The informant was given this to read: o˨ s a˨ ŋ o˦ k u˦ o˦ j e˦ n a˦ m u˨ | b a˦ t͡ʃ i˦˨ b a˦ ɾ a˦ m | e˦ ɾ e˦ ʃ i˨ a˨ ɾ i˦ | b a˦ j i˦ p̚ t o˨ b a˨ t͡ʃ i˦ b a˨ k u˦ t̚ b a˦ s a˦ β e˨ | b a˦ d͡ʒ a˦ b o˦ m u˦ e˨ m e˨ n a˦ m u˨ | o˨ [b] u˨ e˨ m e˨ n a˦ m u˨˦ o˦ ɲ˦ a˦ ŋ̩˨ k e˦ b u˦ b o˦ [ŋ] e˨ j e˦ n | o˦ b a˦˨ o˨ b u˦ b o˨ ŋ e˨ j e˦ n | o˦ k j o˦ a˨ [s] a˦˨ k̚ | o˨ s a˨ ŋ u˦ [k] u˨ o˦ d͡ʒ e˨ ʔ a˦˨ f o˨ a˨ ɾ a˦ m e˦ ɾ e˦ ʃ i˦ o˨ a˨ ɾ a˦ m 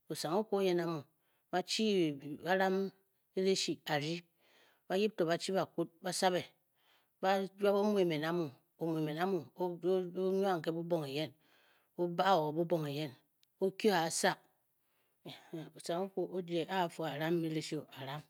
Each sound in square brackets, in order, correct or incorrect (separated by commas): incorrect, correct, correct, correct